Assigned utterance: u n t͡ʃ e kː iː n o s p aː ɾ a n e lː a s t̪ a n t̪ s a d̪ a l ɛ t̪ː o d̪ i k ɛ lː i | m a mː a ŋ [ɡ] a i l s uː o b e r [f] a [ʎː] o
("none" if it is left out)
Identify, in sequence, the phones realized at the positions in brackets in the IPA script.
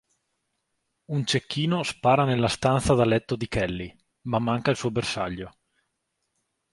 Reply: k, s, ʎː

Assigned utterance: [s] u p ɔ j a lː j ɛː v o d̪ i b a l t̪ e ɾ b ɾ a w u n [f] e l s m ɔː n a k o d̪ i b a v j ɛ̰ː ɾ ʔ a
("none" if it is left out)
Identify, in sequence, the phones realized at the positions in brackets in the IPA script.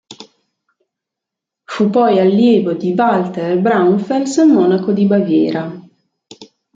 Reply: f, f

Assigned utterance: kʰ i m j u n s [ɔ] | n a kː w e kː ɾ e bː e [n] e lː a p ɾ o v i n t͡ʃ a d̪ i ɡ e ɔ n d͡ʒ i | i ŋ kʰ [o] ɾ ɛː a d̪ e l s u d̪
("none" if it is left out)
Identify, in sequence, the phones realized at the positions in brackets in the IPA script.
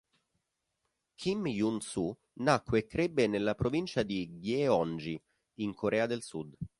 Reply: u, n, o

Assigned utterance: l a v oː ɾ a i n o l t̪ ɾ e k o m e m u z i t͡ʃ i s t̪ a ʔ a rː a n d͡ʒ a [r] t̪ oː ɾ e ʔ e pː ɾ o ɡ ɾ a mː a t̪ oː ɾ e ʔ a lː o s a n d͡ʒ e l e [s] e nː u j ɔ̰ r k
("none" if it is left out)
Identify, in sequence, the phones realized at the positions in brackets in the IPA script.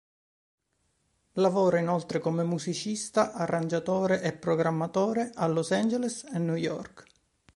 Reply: none, s

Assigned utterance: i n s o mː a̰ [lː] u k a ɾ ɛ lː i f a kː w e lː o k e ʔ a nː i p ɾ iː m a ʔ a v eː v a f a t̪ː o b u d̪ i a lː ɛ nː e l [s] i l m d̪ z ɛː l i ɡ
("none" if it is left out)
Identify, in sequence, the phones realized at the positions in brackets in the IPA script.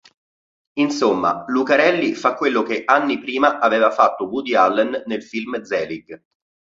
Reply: l, f

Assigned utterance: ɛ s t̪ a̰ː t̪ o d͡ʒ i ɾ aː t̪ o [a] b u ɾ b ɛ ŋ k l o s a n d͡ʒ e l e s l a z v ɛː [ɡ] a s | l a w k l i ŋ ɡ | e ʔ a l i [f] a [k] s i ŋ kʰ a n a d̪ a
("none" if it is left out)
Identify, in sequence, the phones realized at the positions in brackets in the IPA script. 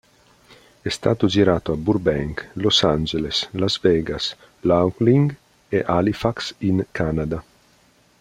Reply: a, ɡ, f, k

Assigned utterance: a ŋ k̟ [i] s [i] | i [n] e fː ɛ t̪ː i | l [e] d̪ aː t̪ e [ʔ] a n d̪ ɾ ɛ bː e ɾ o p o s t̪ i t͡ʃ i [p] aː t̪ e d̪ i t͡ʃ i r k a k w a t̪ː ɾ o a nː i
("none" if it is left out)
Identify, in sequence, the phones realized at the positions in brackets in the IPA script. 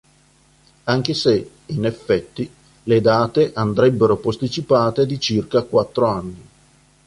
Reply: e, e, n, e, ʔ, p

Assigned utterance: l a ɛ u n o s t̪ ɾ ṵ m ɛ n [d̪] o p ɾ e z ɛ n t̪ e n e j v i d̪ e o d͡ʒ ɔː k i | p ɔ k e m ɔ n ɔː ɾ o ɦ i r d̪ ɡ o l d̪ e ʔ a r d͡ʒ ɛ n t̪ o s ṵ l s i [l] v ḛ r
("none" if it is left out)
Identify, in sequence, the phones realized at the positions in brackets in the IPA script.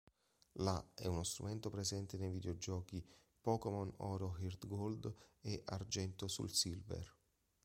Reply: t̪, l

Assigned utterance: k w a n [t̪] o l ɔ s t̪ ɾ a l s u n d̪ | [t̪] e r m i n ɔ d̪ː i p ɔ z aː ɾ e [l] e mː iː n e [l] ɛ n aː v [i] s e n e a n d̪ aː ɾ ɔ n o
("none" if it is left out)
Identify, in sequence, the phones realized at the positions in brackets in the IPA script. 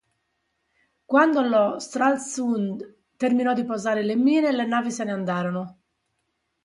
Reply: d̪, t̪, l, l, i

